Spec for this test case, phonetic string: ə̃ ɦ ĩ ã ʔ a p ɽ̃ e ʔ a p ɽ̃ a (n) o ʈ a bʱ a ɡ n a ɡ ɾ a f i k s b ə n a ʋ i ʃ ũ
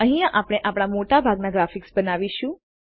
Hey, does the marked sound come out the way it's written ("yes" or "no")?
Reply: no